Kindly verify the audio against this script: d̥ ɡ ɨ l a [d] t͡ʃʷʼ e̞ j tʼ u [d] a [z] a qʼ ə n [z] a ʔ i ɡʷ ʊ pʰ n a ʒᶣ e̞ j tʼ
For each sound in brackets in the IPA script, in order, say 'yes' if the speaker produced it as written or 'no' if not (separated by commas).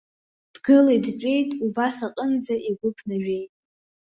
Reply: yes, no, no, no